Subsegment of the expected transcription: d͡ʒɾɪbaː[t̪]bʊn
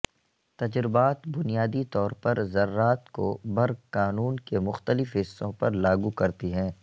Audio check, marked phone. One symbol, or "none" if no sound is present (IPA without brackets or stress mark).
t̪